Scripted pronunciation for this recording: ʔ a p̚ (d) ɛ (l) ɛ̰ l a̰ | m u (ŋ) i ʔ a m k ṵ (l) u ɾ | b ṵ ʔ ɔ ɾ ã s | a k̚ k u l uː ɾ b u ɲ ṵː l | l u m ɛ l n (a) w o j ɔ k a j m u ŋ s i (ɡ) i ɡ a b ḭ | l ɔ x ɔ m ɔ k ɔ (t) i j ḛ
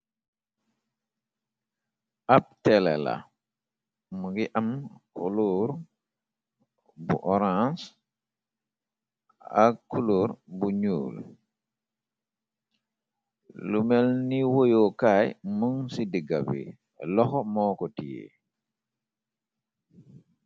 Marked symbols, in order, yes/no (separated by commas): no, yes, no, yes, no, no, yes